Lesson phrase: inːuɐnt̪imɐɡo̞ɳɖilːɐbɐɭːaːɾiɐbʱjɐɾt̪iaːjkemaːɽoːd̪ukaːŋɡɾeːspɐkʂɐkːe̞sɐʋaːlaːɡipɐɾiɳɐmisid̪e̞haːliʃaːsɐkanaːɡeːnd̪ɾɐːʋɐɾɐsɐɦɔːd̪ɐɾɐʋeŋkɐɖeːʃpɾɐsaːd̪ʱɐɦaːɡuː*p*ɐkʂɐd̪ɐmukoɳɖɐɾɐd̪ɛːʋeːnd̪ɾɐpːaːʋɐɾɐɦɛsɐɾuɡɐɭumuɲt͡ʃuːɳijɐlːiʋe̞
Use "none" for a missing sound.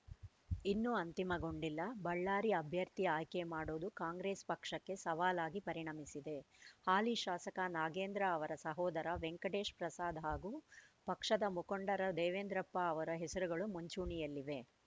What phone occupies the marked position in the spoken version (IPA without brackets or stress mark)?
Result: p